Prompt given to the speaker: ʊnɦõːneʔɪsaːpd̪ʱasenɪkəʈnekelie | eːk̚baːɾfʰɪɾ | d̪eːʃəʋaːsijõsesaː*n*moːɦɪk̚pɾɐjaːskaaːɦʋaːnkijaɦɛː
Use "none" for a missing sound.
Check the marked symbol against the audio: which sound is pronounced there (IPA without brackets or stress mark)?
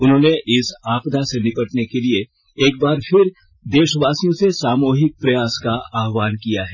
none